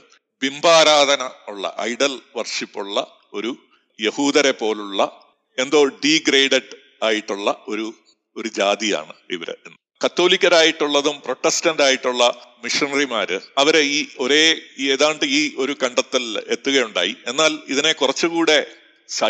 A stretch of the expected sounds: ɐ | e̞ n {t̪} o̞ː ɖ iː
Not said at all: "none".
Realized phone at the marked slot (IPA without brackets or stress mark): d̪